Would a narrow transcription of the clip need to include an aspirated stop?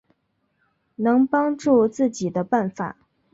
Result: no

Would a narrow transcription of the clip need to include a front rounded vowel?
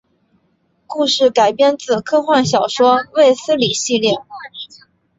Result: no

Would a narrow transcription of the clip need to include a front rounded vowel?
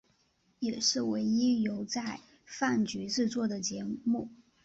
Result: yes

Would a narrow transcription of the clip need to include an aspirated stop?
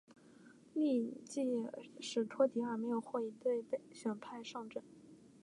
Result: yes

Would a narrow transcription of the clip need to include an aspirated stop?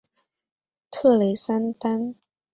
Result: yes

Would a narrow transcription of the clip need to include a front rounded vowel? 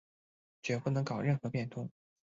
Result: no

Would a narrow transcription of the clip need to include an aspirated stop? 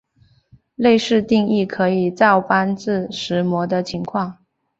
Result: yes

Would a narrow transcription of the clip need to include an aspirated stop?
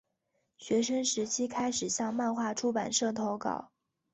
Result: yes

